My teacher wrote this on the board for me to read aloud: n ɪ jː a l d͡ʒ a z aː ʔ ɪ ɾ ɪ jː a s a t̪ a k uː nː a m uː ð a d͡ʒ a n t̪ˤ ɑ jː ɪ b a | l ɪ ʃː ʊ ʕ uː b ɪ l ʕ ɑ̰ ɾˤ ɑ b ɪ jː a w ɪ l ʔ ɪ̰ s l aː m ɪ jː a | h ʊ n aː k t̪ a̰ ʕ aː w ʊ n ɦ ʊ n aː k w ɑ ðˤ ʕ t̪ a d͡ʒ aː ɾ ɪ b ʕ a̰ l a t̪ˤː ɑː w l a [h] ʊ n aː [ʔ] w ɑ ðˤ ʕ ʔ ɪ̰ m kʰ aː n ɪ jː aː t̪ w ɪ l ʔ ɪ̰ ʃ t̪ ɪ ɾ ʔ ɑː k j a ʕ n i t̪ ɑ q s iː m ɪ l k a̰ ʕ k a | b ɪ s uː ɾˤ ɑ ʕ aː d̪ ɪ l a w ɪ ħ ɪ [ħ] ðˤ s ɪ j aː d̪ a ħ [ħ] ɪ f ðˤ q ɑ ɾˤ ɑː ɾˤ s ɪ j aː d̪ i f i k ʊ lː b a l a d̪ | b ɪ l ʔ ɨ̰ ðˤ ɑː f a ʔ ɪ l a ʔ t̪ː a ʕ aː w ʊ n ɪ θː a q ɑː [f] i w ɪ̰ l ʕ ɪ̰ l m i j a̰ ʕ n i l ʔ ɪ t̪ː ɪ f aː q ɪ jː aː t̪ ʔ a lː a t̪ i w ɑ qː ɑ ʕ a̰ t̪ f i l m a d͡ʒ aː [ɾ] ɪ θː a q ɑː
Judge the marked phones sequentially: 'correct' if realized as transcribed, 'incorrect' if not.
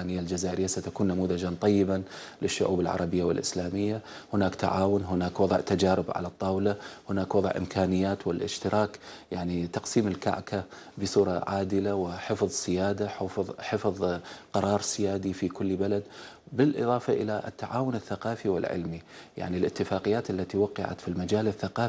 correct, incorrect, incorrect, correct, correct, incorrect

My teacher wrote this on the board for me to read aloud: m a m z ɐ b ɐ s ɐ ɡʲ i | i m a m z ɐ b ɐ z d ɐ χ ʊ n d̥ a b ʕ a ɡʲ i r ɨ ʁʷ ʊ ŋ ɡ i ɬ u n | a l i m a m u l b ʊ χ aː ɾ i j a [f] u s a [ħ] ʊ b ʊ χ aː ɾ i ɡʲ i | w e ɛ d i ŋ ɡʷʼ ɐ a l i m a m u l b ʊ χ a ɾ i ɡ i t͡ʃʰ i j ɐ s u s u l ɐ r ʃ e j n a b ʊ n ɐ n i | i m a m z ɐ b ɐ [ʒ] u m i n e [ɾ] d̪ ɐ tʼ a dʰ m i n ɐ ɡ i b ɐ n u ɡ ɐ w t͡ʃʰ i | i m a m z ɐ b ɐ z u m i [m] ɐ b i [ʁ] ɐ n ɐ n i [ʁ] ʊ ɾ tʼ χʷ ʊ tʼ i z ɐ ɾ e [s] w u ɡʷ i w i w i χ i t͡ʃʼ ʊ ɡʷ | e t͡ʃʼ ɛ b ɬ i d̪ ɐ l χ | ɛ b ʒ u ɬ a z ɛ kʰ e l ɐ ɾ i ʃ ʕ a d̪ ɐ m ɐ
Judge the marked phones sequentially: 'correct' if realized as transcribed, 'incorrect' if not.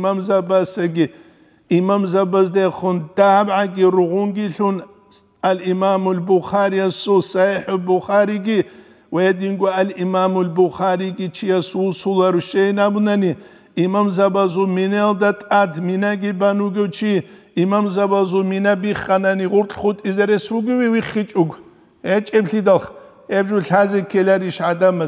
incorrect, correct, incorrect, incorrect, incorrect, incorrect, correct, correct

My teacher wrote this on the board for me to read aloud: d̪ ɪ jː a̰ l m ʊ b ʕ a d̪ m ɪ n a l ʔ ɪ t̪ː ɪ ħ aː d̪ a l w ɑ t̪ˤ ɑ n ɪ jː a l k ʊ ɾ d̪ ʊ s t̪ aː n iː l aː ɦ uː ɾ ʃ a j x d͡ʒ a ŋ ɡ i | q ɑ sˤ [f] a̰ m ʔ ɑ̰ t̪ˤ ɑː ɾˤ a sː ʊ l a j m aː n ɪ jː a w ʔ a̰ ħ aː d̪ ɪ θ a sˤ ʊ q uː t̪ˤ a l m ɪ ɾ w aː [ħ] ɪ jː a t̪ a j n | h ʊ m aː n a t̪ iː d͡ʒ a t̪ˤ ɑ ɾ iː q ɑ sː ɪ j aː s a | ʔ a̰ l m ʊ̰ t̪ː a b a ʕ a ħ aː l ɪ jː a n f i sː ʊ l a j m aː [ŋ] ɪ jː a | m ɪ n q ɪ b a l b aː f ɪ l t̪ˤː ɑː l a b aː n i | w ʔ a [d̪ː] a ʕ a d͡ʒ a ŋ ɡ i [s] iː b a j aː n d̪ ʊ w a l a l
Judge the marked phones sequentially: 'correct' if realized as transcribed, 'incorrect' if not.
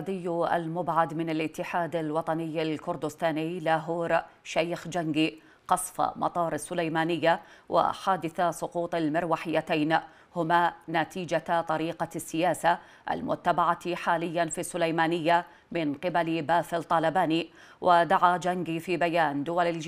correct, correct, incorrect, incorrect, incorrect

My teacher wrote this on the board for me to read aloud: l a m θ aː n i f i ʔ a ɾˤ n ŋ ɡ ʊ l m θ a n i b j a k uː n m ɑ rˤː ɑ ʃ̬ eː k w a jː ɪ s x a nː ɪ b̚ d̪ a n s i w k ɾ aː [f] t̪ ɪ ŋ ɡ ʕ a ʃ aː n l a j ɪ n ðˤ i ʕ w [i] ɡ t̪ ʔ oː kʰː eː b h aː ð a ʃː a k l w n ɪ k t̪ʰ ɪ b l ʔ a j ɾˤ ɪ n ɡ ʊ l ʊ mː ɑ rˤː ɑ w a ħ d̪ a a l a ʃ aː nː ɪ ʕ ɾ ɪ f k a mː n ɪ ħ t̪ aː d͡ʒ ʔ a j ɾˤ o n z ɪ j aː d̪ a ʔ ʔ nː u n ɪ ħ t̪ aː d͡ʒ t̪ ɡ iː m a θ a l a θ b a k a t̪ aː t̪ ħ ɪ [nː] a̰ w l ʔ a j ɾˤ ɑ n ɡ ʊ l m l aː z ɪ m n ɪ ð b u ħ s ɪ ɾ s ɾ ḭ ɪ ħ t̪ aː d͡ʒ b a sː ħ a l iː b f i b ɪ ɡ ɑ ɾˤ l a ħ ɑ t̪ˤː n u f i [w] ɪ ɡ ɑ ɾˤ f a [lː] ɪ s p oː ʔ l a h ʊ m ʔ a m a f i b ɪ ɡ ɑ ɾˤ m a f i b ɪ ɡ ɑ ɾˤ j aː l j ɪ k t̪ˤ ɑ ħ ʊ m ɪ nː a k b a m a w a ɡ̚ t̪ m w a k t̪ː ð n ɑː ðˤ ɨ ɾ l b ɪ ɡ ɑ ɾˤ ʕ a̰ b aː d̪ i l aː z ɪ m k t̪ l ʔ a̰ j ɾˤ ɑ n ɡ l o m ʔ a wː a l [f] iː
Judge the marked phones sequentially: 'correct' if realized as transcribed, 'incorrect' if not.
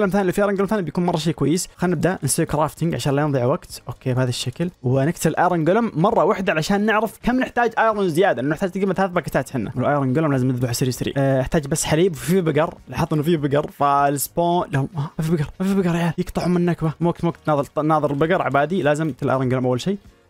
correct, incorrect, correct, incorrect, incorrect, incorrect

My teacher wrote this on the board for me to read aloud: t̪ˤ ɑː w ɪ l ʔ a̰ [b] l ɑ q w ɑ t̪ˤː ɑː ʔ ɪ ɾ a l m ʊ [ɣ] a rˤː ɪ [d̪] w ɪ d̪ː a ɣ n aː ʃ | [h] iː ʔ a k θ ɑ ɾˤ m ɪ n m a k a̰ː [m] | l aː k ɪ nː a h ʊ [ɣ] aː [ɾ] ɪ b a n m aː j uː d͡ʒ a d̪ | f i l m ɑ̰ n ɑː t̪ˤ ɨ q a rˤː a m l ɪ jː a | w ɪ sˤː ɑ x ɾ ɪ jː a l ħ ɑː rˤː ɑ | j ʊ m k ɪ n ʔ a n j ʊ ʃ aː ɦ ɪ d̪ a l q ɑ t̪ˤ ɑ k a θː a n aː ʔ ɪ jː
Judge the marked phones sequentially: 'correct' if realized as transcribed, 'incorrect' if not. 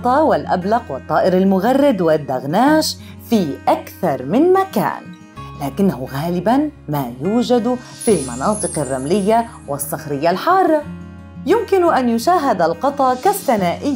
correct, correct, correct, incorrect, incorrect, correct, incorrect

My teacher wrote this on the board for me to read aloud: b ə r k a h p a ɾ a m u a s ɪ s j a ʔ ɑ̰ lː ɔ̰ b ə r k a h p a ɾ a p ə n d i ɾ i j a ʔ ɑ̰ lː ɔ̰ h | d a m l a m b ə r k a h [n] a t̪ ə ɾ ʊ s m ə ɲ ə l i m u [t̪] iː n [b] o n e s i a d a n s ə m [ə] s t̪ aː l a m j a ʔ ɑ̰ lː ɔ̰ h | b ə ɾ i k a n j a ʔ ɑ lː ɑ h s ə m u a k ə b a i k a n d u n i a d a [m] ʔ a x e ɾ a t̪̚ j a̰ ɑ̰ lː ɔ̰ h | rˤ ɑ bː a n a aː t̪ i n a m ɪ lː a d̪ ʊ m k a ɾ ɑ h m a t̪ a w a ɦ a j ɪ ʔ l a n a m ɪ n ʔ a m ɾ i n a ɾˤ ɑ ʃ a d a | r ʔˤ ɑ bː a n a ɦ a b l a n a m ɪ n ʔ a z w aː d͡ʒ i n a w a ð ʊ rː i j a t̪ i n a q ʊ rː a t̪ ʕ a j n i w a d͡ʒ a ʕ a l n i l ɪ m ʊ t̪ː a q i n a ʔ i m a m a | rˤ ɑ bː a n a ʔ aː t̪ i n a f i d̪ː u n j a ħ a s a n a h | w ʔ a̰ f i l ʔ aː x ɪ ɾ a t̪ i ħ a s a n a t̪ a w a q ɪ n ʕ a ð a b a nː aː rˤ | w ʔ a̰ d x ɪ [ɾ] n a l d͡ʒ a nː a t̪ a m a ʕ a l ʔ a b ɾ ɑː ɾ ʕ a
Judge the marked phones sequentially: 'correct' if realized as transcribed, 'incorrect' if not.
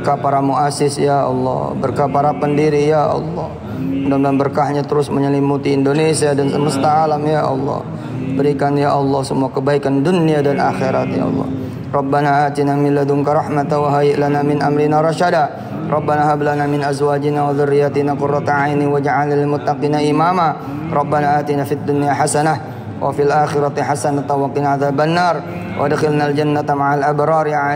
incorrect, correct, incorrect, correct, incorrect, incorrect

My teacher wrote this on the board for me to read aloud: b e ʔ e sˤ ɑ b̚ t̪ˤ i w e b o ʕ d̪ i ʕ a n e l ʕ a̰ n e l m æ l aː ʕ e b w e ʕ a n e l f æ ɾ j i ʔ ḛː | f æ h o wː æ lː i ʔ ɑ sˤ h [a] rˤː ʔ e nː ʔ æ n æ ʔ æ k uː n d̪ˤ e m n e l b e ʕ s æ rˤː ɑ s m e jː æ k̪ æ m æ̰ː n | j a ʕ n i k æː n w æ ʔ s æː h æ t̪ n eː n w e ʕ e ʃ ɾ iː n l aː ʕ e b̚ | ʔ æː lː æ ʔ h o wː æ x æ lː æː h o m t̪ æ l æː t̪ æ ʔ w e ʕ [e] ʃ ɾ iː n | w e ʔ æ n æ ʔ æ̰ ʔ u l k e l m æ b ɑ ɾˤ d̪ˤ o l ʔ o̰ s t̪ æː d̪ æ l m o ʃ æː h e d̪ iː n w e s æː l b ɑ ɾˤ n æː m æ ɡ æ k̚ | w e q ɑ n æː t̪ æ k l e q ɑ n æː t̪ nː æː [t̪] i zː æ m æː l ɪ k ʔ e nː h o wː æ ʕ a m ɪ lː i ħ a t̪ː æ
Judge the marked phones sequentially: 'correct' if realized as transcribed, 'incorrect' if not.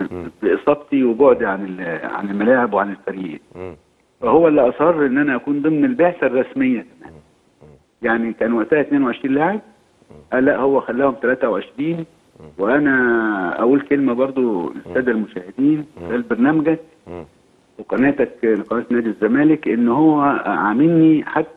incorrect, correct, incorrect

